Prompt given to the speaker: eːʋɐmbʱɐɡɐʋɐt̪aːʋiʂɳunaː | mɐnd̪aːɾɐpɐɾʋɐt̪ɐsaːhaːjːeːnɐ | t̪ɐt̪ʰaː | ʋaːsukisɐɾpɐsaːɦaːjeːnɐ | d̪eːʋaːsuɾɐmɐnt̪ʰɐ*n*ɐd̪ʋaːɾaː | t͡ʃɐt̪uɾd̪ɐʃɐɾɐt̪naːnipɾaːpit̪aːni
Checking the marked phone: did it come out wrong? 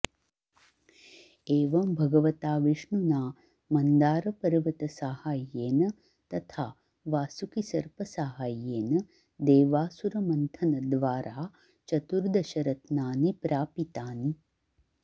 no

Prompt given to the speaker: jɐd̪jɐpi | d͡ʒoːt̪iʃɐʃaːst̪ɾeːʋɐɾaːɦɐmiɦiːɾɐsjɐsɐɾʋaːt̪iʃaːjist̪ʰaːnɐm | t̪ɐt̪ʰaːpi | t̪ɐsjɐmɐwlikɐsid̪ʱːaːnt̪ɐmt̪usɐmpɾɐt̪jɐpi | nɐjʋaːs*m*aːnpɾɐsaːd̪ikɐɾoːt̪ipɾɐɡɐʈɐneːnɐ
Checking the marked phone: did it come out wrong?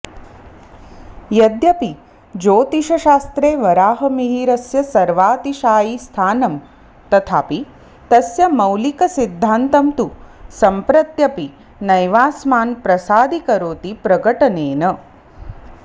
no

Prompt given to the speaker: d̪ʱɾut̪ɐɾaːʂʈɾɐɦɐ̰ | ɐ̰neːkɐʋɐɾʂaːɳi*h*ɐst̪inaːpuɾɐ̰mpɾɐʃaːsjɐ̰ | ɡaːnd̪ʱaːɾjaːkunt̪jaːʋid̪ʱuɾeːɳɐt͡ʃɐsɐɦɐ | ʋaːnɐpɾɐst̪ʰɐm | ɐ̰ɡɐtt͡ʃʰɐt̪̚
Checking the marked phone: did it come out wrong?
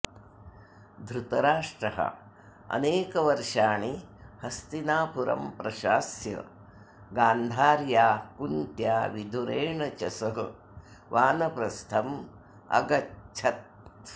no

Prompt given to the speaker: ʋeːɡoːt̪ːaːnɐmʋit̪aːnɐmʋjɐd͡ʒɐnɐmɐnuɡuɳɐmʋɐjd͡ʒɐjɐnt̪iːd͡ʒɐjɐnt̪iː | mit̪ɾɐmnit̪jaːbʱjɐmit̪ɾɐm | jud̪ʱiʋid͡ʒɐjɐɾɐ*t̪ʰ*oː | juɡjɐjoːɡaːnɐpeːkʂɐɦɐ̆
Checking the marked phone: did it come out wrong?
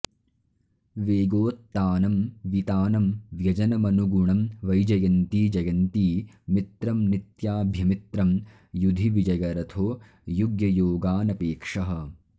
no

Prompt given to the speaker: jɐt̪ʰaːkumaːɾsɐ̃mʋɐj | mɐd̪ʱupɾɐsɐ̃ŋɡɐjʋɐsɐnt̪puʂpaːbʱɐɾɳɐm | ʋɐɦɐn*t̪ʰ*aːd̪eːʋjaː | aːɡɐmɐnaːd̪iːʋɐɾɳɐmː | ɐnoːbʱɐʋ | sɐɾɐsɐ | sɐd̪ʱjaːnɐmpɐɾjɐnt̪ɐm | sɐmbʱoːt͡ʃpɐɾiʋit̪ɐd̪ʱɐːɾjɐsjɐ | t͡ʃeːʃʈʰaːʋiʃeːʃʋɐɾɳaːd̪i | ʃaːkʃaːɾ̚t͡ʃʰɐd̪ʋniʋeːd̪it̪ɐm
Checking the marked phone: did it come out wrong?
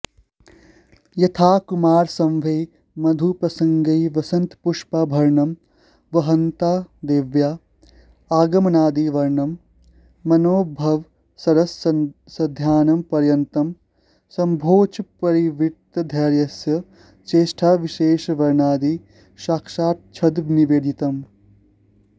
yes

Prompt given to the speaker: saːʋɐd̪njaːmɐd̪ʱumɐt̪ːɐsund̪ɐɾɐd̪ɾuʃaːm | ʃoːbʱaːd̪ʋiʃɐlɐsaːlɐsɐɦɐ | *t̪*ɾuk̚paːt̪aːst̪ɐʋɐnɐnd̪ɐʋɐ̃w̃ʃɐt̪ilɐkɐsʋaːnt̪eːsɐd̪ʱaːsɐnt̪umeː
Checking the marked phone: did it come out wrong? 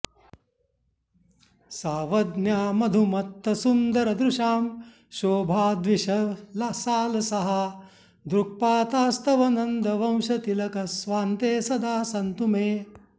yes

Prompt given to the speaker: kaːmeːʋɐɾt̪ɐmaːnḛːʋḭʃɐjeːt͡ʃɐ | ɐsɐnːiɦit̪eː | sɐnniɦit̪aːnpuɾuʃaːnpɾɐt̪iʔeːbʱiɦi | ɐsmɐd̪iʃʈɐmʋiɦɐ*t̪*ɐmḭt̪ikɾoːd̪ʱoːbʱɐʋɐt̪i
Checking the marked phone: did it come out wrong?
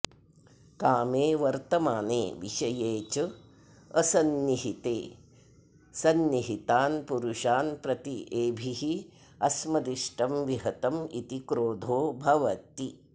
no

